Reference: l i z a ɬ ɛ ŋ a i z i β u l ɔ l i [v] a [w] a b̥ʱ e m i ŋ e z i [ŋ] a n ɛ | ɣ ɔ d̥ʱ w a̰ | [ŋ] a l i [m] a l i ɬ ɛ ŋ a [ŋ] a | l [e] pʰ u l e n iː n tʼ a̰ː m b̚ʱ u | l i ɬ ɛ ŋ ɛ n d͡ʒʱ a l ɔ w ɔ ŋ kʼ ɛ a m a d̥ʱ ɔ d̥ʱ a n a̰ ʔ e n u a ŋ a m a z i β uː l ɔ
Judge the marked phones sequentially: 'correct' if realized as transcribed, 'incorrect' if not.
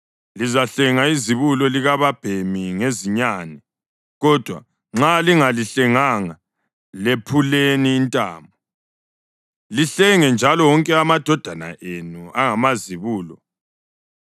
incorrect: ɣ, incorrect: β, incorrect: ɲ, incorrect: ŋ͡ǁ, incorrect: ŋ, correct, correct

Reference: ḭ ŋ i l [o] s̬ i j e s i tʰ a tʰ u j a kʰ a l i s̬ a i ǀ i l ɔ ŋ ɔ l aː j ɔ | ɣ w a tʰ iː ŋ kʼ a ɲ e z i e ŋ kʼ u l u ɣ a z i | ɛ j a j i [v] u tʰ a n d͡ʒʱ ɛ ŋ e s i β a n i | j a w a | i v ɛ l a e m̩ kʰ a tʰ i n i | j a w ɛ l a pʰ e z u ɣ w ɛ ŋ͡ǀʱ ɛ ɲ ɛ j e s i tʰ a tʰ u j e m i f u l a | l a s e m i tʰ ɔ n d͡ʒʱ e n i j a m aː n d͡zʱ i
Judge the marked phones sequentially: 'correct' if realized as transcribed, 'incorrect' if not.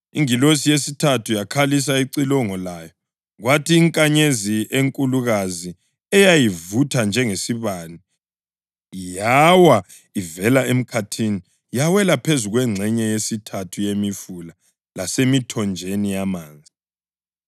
correct, correct

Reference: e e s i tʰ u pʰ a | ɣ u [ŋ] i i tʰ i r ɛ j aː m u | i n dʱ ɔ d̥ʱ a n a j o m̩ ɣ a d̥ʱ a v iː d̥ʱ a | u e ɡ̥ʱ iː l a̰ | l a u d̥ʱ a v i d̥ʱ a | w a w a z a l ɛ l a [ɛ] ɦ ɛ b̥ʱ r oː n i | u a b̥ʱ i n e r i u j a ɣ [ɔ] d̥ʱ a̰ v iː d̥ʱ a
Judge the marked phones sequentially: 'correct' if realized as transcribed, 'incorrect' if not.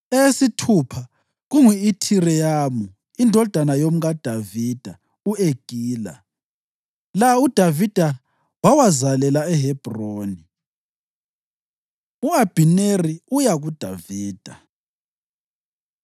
correct, correct, incorrect: u

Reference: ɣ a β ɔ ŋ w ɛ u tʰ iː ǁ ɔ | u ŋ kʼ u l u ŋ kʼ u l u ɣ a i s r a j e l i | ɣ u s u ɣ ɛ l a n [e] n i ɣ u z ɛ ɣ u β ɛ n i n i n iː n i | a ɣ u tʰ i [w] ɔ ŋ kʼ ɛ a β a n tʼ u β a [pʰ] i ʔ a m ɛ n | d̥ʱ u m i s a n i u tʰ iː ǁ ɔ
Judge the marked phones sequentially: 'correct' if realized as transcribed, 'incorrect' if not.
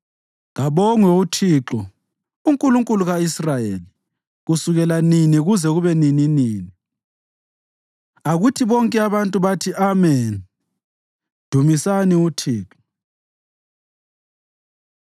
incorrect: i, incorrect: β, incorrect: tʰ

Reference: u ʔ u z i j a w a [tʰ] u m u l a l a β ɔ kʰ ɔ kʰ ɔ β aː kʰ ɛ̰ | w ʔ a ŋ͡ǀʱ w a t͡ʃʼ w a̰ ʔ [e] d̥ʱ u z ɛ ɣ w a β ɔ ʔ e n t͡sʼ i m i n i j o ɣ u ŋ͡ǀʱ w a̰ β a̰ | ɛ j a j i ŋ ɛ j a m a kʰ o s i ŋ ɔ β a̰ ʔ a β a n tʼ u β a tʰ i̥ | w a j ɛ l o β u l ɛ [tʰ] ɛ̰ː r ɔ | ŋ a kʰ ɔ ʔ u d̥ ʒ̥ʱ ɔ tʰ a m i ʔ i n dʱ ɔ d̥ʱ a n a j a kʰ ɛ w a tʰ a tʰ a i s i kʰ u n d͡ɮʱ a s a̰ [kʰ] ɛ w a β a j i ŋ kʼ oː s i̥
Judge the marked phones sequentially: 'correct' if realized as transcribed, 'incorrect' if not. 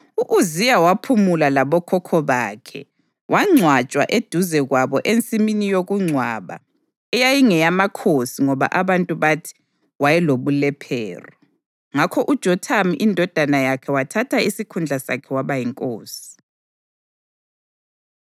incorrect: pʰ, correct, incorrect: pʰ, correct

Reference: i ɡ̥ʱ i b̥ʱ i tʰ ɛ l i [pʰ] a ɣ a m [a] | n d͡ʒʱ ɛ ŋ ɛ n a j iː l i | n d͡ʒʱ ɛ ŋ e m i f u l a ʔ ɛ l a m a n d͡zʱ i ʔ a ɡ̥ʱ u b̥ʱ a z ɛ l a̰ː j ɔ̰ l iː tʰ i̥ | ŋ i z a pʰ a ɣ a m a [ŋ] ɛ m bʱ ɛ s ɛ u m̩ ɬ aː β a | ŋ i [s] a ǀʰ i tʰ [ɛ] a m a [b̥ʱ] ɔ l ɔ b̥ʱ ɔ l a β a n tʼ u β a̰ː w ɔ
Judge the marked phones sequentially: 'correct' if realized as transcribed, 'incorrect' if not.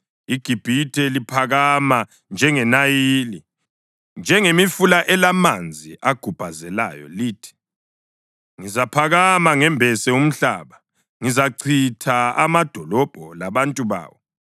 correct, correct, correct, incorrect: z, incorrect: a, incorrect: d̥ʱ

